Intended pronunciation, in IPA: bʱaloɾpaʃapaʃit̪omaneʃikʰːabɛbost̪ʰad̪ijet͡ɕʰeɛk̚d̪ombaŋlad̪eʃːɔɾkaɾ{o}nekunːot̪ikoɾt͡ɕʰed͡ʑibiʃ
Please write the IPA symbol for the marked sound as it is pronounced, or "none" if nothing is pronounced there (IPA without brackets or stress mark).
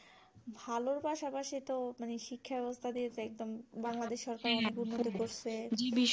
ɔ